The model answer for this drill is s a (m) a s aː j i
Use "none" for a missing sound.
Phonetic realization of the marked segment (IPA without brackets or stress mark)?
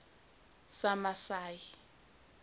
m